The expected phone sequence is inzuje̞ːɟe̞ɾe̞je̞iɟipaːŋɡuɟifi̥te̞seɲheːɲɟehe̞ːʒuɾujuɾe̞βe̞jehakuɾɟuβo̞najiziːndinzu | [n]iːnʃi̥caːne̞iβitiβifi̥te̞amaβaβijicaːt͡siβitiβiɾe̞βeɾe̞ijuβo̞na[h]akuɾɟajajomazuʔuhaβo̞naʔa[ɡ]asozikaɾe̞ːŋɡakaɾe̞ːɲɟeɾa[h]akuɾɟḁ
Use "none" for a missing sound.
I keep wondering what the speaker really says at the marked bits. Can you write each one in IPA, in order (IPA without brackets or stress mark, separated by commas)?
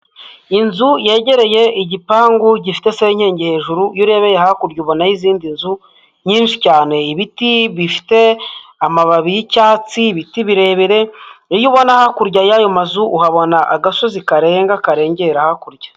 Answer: ɲ, h, ɡ, h